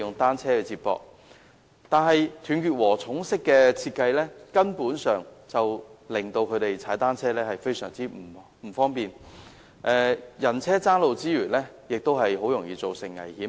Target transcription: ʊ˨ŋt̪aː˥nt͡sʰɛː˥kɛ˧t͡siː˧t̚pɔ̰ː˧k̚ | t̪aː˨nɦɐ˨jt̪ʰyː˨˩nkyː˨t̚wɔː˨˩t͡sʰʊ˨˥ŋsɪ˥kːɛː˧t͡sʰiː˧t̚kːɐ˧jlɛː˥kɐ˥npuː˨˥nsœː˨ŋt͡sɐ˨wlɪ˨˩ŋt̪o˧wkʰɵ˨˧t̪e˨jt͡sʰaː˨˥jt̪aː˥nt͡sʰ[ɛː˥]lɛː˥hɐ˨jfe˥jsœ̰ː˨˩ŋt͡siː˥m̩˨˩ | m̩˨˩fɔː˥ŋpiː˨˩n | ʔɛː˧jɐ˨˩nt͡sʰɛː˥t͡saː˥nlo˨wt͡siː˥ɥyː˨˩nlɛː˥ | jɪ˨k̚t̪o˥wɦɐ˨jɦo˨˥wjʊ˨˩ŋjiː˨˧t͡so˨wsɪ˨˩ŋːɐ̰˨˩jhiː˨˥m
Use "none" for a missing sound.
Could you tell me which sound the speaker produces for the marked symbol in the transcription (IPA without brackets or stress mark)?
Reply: ɛː˥